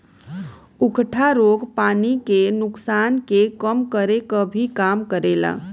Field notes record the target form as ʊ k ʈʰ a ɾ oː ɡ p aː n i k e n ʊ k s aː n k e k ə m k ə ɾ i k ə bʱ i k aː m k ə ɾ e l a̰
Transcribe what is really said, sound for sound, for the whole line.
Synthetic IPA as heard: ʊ k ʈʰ a ɾ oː ɡ p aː n i k e n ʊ k s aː n k e k ə m k ə ɾ e k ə bʱ i k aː m k ə ɾ e l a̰